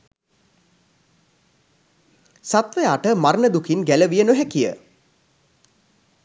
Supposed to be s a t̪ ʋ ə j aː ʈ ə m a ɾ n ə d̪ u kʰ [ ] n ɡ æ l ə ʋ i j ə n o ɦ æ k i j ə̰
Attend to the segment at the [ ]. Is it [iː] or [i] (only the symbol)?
i